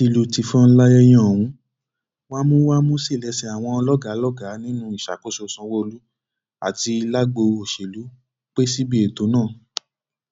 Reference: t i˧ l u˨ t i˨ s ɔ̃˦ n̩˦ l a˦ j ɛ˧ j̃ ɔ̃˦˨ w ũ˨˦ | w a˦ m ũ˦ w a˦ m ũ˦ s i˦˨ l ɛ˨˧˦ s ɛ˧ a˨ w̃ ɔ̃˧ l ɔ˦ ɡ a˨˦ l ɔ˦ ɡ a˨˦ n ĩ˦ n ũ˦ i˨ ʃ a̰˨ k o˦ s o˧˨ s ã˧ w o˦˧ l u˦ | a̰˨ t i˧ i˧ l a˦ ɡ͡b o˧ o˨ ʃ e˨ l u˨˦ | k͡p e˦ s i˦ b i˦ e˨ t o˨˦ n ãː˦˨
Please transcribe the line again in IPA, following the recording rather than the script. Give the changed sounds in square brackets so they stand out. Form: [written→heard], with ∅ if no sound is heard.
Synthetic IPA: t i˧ l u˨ t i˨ [s→f] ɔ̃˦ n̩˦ l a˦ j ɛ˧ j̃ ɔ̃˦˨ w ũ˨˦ | w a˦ m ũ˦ w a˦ m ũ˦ s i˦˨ l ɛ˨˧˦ s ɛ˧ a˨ w̃ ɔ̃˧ l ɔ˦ ɡ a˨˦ l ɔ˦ ɡ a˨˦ n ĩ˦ n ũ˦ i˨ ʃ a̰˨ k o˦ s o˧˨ s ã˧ w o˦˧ l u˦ | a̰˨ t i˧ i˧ l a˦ ɡ͡b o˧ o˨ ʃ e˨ l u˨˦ | k͡p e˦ s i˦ b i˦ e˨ t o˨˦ n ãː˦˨